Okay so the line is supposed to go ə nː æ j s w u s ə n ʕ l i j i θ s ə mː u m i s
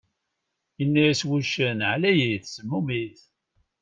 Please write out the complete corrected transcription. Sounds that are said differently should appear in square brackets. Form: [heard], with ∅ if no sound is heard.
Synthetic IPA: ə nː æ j s w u [ʃ] ə n ʕ l [æ] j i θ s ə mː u m i [θ]